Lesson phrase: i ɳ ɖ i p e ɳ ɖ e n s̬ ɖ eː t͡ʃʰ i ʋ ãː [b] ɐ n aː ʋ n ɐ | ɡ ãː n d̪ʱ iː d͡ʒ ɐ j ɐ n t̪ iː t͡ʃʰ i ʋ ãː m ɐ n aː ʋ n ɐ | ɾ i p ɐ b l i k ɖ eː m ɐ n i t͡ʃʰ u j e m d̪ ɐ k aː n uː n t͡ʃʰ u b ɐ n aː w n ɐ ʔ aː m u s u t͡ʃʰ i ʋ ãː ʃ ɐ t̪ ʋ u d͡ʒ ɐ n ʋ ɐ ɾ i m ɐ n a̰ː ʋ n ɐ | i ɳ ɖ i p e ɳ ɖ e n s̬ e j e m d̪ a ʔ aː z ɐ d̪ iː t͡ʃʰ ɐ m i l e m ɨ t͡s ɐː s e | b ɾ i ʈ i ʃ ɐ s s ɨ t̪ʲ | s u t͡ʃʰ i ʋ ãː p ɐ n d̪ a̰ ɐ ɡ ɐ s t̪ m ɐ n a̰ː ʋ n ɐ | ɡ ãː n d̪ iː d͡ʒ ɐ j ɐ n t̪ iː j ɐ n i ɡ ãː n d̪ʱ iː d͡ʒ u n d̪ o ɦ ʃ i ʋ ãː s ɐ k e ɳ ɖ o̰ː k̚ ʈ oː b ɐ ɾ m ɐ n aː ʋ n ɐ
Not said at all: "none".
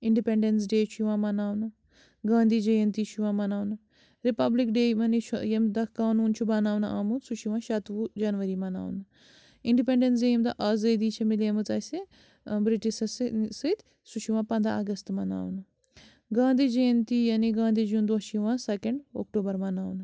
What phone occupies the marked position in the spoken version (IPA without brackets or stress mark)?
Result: m